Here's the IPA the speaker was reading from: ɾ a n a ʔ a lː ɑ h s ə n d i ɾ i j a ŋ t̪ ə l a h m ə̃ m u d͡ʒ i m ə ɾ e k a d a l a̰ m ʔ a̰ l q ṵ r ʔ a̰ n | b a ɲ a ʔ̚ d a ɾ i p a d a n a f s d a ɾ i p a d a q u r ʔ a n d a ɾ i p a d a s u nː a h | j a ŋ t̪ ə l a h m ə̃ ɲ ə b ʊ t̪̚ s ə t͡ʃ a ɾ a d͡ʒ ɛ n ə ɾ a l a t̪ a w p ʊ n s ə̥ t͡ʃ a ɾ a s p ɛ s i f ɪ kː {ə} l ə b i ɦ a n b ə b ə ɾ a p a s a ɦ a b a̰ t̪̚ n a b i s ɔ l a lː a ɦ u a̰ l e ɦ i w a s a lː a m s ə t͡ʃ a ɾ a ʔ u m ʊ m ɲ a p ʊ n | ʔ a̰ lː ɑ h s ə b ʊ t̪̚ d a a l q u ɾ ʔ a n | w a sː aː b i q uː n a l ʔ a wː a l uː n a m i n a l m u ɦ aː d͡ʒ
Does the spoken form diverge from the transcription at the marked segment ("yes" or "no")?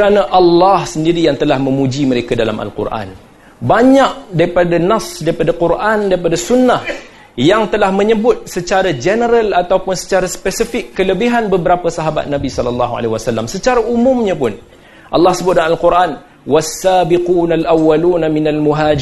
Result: no